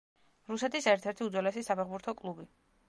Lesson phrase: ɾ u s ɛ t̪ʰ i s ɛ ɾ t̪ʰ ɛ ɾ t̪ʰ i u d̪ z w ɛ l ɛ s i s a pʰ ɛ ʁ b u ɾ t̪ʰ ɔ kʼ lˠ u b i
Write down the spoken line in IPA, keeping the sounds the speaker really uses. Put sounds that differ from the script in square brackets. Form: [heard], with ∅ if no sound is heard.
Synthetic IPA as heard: ɾ u s ɛ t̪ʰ i s ɛ ɾ t̪ʰ ɛ ɾ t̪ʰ i u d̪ z w ɛ l ɛ s i s a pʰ ɛ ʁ b u ɾ t̪ʰ ɔ kʼ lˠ u b i

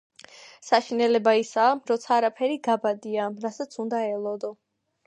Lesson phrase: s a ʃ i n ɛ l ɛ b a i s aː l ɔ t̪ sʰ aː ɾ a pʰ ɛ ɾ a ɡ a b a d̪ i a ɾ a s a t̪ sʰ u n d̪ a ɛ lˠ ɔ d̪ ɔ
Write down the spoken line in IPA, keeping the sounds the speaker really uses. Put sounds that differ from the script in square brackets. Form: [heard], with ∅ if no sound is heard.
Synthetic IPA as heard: s a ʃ i n ɛ l ɛ b a i s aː [ɾ] ɔ t̪ sʰ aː ɾ a pʰ ɛ ɾ [i] ɡ a b a d̪ i a ɾ a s a t̪ sʰ u n d̪ a ɛ lˠ ɔ d̪ ɔ

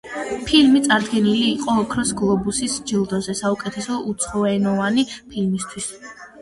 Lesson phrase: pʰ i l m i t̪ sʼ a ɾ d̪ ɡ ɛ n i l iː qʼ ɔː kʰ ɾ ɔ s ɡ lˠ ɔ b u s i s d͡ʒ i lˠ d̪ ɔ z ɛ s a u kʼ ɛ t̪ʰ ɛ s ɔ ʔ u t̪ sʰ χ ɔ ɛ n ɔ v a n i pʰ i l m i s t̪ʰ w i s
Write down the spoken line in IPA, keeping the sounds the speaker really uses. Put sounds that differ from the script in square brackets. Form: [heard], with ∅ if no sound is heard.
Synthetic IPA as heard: pʰ i l m i t̪ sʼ a ɾ d̪ ɡ ɛ n i l iː qʼ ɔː kʰ ɾ ɔ s ɡ lˠ ɔ b u s i s d͡ʒ i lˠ d̪ ɔ z ɛ s a u kʼ ɛ t̪ʰ ɛ s ɔ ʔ u t̪ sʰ χ ɔ ɛ n ɔ v a n i pʰ i l m i s t̪ʰ w i s

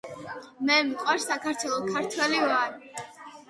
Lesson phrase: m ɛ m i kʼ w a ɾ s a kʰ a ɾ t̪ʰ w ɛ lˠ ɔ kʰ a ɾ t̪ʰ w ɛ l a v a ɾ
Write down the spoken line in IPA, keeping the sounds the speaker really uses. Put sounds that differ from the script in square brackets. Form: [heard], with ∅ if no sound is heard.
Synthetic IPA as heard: m ɛ m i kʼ w a ɾ s a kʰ a ɾ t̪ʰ w ɛ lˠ ɔ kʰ a ɾ t̪ʰ w ɛ l [i] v a ɾ

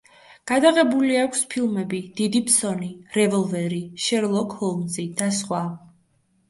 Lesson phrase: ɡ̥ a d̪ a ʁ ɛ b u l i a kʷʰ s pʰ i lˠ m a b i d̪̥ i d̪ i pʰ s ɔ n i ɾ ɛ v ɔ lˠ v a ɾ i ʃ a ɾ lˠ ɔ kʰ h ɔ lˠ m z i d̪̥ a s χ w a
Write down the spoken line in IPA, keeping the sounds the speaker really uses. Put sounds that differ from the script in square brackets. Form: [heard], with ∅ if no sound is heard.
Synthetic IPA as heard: ɡ̥ a d̪ a ʁ ɛ b u l i a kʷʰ s pʰ i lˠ m [ɛ] b i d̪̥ i d̪ i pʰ s ɔ n i ɾ ɛ v ɔ lˠ v [ɛ] ɾ i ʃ [ɛ] ɾ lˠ ɔ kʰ h ɔ lˠ m z i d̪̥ a s χ w a

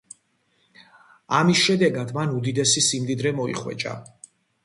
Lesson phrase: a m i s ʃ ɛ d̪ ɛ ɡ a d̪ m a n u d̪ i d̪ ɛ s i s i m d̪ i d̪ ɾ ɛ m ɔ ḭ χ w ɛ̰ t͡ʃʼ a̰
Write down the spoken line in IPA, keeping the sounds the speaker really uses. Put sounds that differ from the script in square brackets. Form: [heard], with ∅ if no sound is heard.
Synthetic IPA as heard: a m i s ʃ ɛ d̪ ɛ ɡ a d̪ m a n u d̪ i d̪ ɛ s i s i m d̪ i d̪ ɾ ɛ m ɔ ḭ χ w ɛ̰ t͡ʃʼ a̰

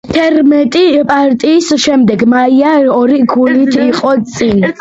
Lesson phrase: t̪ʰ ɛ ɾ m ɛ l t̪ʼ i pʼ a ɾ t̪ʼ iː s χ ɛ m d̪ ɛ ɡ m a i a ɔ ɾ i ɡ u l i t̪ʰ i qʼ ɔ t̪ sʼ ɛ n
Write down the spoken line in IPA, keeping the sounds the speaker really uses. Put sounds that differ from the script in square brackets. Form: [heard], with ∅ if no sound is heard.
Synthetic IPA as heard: t̪ʰ ɛ ɾ m ɛ [∅] t̪ʼ i pʼ a ɾ t̪ʼ iː s [ʃ] ɛ m d̪ ɛ ɡ m a i a ɔ ɾ i ɡ u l i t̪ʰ i qʼ ɔ t̪ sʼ [i] n

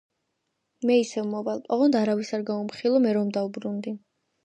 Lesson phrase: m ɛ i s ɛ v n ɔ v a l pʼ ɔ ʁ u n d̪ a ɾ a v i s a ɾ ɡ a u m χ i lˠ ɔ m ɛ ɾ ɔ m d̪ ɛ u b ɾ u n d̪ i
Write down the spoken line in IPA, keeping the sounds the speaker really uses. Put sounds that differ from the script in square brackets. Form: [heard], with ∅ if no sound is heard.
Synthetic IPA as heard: m ɛ i s ɛ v [m] ɔ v a l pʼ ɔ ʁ [ɔ] n d̪ a ɾ a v i s a ɾ ɡ a u m χ i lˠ ɔ m ɛ ɾ ɔ m d̪ [a] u b ɾ u n d̪ i

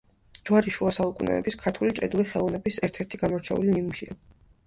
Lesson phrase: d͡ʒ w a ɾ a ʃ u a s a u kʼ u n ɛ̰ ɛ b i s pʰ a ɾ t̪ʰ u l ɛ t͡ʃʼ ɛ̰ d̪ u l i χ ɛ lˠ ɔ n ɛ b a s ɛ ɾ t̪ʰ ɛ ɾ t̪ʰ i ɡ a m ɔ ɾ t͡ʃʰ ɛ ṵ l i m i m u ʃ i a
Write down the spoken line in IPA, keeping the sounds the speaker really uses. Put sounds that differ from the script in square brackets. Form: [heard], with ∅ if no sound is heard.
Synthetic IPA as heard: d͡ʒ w a ɾ [i] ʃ u a s a u kʼ u n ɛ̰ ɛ b i s [kʰ] a ɾ t̪ʰ u l [i] t͡ʃʼ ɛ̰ d̪ u l i χ ɛ lˠ ɔ n ɛ b [i] s ɛ ɾ t̪ʰ ɛ ɾ t̪ʰ i ɡ a m ɔ ɾ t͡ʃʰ ɛ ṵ l i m i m u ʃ i a

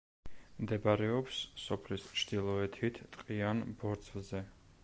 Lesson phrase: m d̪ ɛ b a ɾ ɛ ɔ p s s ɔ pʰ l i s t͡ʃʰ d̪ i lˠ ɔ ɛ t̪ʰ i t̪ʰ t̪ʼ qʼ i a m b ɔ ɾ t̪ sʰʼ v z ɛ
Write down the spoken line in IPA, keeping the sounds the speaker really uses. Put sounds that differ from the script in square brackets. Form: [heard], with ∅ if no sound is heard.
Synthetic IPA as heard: m d̪ ɛ b a ɾ ɛ ɔ p s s ɔ pʰ l i s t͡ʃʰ d̪ i lˠ ɔ ɛ t̪ʰ i t̪ʰ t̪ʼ qʼ i a [n] b ɔ ɾ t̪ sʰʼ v z ɛ

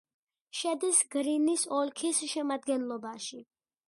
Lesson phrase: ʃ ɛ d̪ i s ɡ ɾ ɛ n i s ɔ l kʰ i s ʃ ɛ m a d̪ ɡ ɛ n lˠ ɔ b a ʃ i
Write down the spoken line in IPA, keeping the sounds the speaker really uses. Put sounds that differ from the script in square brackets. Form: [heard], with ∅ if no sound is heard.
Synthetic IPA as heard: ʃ ɛ d̪ i s ɡ ɾ [i] n i s ɔ l kʰ i s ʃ ɛ m a d̪ ɡ ɛ n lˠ ɔ b a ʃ i

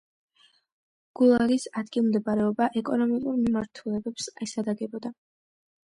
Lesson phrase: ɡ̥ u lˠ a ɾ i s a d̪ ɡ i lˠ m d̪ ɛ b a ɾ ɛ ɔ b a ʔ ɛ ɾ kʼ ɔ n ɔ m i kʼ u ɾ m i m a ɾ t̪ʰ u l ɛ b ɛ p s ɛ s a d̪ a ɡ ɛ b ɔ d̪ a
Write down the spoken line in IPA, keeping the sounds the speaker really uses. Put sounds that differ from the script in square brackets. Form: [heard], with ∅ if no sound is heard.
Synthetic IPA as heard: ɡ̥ u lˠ a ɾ i s a d̪ ɡ i lˠ m d̪ ɛ b a ɾ ɛ ɔ b a ʔ ɛ [∅] kʼ ɔ n ɔ m i kʼ u ɾ m i m a ɾ t̪ʰ u l ɛ b ɛ p s ɛ s a d̪ a ɡ ɛ b ɔ d̪ a

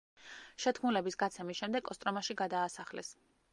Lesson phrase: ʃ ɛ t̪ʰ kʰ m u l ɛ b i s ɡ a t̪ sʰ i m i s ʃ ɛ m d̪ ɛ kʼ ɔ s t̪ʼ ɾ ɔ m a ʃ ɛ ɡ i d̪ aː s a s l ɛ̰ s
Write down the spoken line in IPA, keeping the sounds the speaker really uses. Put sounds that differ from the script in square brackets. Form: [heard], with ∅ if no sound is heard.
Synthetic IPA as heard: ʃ ɛ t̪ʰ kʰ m u l ɛ b i s ɡ a t̪ sʰ [ɛ] m i s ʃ ɛ m d̪ ɛ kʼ ɔ s t̪ʼ ɾ ɔ m a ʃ [i] ɡ [a] d̪ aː s a [χ] l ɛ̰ s

